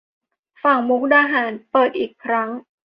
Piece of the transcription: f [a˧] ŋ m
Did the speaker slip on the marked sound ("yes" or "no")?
yes